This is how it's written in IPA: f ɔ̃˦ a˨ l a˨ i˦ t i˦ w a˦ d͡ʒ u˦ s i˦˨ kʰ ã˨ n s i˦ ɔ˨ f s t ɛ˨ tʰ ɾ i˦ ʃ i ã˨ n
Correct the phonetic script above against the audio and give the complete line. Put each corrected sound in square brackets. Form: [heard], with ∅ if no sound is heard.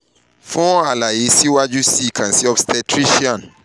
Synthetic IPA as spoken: f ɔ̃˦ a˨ l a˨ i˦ [s] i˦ w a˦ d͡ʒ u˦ s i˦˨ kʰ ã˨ n s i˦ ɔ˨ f s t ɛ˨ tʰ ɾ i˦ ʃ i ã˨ n